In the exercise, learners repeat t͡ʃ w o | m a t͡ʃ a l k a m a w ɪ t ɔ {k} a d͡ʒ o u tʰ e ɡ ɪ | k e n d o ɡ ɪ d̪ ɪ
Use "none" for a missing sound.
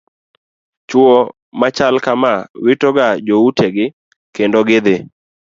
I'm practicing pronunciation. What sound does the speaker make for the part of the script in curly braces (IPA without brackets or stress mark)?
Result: ɡ